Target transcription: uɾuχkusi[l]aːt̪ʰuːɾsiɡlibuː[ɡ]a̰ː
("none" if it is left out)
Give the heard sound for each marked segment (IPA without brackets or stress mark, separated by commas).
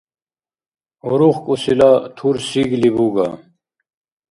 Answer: l, ɡ